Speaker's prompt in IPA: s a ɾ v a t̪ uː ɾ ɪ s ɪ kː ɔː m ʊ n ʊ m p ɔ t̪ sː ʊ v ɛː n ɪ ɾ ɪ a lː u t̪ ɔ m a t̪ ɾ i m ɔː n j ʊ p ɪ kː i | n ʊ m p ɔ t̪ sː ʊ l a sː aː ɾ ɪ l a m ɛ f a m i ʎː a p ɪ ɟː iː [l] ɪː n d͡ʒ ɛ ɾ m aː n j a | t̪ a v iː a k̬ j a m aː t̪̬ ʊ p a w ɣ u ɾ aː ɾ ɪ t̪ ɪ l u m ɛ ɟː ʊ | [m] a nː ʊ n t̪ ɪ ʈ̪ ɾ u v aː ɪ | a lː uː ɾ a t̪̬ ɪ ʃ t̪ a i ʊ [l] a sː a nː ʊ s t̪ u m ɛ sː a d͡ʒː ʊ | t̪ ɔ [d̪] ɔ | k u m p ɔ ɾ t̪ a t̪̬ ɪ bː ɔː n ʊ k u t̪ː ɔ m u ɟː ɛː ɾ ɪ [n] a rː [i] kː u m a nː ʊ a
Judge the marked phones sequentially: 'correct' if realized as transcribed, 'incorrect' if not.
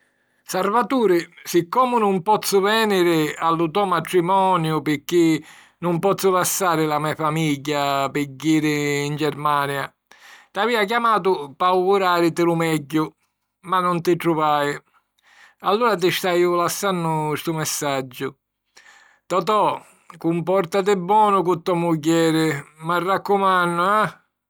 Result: incorrect, correct, correct, incorrect, incorrect, incorrect

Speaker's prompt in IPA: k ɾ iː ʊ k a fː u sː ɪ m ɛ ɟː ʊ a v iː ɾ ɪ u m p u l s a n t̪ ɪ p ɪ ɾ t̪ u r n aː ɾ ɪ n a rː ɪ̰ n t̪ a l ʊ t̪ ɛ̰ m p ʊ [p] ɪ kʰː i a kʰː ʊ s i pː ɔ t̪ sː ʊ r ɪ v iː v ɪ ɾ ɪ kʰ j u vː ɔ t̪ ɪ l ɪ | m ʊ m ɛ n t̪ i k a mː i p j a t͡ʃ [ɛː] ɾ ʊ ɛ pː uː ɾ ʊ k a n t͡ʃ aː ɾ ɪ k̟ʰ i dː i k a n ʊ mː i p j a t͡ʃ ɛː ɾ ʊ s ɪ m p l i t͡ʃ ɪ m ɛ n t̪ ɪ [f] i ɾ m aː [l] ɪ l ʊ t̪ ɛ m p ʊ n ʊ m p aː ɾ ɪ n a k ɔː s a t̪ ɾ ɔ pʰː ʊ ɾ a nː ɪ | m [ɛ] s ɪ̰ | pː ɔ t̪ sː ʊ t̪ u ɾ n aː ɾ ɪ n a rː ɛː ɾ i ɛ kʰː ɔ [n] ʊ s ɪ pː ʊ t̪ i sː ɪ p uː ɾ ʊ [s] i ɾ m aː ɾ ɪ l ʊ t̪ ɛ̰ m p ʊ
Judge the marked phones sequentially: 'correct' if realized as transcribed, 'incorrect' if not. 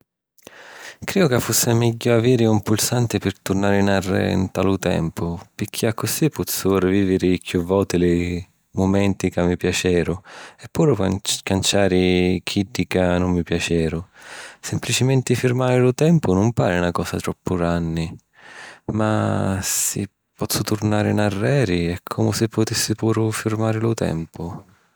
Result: correct, correct, correct, incorrect, incorrect, incorrect, incorrect

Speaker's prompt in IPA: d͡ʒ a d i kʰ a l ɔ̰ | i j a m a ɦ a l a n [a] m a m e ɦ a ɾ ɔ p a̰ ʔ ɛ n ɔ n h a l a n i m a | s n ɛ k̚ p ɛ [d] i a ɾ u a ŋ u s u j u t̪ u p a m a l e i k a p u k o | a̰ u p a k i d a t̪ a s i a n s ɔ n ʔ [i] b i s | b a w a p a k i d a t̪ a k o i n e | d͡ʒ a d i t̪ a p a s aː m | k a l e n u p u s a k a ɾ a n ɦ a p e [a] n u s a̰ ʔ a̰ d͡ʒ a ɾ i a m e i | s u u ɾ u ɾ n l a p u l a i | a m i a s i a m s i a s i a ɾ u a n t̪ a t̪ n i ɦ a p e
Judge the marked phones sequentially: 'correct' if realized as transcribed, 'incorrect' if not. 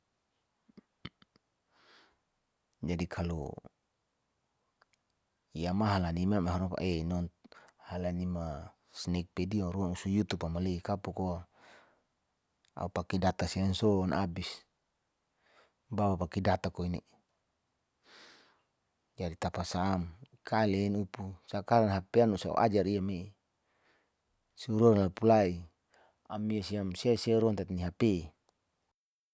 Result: incorrect, correct, incorrect, correct

